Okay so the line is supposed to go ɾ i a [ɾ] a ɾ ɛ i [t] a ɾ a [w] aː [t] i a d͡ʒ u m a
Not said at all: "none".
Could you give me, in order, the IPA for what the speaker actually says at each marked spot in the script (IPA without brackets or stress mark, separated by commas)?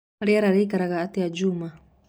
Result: ɾ, k, ɣ, t